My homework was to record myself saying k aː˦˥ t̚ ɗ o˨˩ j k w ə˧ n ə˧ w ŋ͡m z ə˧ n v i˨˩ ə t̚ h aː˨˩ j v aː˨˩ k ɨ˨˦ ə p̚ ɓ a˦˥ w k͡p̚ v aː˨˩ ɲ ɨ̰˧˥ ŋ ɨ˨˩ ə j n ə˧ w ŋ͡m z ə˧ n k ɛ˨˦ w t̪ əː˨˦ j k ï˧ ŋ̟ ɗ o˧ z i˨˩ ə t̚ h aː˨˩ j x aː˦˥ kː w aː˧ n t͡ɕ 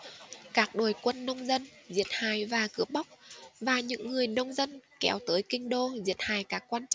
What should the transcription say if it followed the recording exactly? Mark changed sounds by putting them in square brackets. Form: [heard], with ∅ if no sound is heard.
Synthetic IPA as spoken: k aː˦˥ [k̚] ɗ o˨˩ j k w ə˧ [nː] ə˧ w ŋ͡m z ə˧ n [z] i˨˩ ə t̚ h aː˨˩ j v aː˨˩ k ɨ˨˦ ə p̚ ɓ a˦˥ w k͡p̚ v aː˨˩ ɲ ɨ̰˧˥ [ŋː] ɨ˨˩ ə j n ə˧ w ŋ͡m z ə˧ n k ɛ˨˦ w t̪ əː˨˦ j k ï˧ ŋ̟ ɗ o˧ z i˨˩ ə t̚ h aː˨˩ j [k] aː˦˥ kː w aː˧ n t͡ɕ